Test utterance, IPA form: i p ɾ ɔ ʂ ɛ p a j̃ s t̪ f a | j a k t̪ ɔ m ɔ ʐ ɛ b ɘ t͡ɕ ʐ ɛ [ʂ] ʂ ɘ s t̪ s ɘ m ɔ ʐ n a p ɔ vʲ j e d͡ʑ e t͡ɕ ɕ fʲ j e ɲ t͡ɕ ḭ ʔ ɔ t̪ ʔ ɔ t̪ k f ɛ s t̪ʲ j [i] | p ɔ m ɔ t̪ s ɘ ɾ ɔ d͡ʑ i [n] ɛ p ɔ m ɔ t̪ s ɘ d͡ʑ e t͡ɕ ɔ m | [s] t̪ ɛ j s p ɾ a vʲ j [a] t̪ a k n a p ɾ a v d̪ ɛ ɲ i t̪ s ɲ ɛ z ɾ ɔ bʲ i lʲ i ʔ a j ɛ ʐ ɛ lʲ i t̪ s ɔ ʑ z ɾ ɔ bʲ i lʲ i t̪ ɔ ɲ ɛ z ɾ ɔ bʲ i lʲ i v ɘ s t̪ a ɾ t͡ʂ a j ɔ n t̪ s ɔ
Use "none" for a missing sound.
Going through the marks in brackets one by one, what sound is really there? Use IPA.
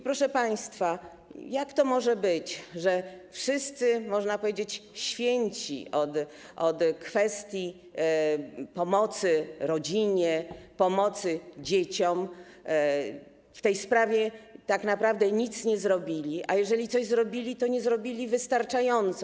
f, i, ɲ, f, ɛ

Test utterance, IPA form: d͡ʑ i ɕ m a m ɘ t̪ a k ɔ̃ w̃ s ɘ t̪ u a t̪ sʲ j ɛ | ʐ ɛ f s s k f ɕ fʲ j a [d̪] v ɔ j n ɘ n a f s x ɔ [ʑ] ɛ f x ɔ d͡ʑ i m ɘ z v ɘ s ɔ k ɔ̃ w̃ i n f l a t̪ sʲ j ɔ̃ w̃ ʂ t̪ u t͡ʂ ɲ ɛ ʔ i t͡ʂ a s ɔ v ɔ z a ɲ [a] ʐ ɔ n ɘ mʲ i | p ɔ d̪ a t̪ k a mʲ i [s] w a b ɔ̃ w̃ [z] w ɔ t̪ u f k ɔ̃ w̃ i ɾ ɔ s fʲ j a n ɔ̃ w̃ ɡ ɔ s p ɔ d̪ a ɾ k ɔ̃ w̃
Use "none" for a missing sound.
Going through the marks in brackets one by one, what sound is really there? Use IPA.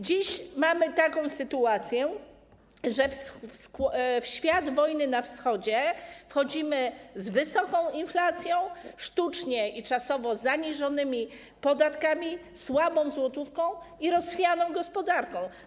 d̪, d͡ʑ, i, s, z

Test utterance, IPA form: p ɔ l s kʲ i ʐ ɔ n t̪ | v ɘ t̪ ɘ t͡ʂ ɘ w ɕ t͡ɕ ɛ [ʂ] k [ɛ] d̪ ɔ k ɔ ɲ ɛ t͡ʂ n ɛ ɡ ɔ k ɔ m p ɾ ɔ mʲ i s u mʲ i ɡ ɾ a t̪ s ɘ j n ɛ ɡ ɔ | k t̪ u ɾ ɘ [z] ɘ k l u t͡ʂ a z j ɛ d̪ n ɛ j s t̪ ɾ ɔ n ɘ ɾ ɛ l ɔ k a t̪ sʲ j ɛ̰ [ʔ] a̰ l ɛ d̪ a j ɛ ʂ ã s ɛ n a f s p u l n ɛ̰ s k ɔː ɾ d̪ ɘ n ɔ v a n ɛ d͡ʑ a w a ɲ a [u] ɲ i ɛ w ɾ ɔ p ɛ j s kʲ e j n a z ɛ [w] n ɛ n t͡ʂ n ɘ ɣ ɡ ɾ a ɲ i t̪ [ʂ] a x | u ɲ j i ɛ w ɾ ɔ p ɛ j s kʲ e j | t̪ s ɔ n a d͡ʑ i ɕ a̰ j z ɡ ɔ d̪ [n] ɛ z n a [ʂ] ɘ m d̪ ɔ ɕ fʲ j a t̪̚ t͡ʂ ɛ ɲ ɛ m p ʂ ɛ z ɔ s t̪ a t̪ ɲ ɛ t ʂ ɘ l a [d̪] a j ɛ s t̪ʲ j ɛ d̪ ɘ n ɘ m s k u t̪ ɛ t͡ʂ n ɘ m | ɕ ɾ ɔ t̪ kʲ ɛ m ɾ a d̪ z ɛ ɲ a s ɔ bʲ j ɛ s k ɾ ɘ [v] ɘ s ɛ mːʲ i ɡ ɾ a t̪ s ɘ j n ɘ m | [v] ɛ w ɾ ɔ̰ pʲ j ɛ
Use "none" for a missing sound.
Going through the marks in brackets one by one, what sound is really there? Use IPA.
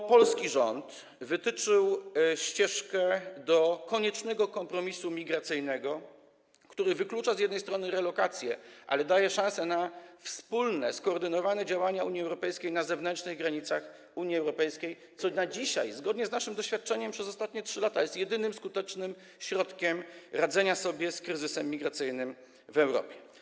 ʂ, ɛ, v, ʔ, u, v, s, ɲ, ʂ, t̪, z, v

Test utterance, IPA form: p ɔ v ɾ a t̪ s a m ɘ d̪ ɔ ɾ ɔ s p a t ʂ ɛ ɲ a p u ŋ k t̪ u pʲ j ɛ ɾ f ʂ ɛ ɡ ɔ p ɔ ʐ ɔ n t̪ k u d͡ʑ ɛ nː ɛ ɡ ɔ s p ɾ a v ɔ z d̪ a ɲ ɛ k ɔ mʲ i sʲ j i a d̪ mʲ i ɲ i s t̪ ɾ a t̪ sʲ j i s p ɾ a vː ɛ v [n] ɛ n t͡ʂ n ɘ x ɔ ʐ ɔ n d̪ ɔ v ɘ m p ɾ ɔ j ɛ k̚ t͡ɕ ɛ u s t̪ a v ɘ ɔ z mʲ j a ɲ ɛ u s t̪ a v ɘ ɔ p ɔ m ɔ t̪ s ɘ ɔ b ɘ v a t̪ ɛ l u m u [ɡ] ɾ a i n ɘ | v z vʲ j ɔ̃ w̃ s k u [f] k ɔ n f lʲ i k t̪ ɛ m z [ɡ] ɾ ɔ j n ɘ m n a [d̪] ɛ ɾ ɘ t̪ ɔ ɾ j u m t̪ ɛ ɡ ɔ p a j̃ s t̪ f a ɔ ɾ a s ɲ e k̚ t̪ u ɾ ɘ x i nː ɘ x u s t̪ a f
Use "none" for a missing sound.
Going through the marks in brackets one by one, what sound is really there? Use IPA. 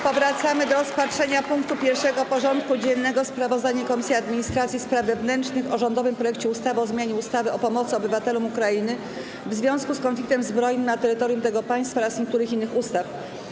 n, k, s, b, t̪

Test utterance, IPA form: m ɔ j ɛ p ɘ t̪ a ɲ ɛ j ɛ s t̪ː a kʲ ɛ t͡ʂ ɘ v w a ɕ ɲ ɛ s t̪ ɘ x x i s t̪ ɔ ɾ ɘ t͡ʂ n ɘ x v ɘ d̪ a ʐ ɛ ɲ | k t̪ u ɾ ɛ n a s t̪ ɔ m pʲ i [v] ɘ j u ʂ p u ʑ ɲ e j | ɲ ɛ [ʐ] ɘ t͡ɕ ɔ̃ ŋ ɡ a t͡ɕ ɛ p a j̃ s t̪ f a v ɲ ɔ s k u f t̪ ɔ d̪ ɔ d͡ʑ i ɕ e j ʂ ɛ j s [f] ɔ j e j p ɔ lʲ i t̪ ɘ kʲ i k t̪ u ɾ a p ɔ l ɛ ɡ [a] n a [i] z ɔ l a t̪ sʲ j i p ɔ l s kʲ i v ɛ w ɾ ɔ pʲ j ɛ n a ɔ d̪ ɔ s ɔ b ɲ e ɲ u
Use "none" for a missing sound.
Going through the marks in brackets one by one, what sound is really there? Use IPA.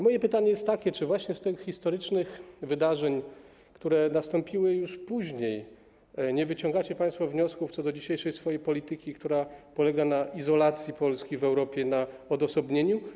w, v, f, a, i

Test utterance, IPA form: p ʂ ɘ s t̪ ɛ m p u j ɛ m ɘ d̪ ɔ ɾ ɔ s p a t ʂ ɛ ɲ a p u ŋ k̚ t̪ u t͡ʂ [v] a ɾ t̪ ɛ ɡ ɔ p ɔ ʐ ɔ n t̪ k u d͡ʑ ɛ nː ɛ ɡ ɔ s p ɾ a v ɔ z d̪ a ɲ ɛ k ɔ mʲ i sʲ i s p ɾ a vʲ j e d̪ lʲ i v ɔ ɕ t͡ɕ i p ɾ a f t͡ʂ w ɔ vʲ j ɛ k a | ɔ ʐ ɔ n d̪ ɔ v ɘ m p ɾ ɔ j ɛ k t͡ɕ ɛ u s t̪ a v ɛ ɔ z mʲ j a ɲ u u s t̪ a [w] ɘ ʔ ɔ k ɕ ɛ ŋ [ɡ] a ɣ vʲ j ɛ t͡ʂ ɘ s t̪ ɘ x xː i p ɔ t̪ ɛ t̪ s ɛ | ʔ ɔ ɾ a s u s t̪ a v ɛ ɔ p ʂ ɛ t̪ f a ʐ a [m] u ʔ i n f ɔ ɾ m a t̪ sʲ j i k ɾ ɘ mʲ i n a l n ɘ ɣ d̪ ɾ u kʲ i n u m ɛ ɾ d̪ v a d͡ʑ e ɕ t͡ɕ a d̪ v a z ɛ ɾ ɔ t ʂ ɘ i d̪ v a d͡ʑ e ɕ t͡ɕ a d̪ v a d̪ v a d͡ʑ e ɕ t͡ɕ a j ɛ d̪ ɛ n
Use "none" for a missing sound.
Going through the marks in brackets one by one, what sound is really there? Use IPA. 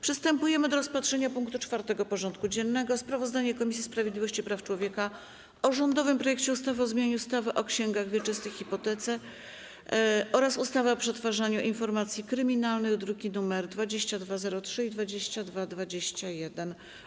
f, v, ɡ, ɲ

